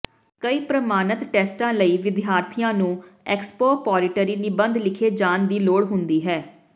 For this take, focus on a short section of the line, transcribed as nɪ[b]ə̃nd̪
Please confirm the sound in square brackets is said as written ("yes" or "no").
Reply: yes